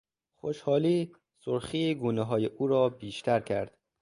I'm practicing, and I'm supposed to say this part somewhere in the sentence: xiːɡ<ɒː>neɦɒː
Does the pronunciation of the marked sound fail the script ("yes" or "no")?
yes